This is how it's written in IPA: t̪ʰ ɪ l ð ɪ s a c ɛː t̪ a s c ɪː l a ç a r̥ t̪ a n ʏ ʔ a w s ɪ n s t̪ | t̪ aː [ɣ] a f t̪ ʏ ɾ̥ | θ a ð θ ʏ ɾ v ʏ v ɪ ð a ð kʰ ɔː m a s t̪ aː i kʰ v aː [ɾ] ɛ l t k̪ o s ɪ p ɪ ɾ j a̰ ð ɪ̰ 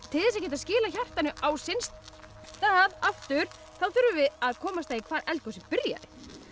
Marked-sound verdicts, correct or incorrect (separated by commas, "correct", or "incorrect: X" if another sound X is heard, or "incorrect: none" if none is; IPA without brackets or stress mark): incorrect: ð, correct